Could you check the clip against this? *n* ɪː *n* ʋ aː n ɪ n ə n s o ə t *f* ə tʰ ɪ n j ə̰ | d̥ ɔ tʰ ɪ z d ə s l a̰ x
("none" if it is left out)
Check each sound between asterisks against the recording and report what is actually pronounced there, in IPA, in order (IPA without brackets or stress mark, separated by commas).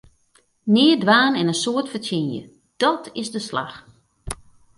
n, d, f